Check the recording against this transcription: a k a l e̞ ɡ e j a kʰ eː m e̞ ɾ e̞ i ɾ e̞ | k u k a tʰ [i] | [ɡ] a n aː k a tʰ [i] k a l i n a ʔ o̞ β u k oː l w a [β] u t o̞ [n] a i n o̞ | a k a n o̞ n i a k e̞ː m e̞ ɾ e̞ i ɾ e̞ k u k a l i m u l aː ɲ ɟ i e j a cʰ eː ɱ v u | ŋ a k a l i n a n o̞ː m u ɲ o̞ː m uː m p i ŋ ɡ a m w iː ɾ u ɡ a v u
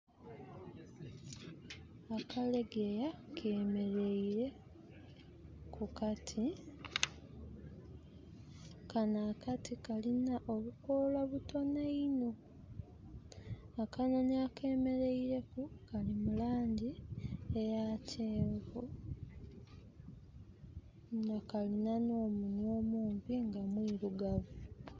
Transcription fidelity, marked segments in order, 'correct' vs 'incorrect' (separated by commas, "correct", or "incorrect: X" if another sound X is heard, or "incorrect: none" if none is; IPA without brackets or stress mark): correct, incorrect: k, correct, correct, correct